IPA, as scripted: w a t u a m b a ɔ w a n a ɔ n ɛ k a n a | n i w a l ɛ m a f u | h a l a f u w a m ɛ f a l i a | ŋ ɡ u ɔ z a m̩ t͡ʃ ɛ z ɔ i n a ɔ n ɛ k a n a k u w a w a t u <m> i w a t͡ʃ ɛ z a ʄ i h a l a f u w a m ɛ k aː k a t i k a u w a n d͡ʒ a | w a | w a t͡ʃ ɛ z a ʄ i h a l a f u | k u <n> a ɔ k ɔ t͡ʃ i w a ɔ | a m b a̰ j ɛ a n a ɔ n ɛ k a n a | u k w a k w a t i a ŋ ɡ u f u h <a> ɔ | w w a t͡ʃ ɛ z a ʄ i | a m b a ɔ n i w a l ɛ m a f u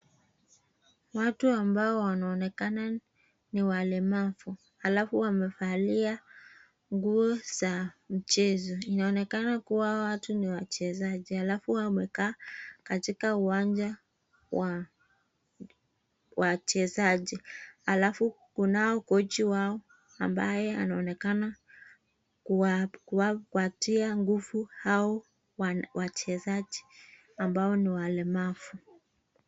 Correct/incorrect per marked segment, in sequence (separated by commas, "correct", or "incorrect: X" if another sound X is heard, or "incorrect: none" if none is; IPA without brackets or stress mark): incorrect: n, correct, correct